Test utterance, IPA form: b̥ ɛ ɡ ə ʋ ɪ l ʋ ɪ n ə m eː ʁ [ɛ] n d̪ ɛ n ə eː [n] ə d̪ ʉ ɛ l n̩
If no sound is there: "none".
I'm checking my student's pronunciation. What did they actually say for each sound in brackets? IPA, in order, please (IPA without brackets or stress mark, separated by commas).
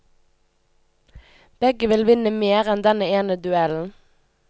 ɛ, n